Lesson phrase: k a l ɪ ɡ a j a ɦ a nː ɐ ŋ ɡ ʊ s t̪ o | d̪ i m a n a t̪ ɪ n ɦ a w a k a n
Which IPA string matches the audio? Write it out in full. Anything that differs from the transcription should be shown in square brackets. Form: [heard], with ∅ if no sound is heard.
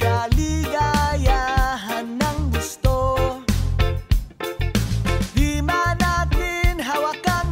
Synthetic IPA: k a l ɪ ɡ a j a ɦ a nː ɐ ŋ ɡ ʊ s t̪ o | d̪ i m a n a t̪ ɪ n ɦ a w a k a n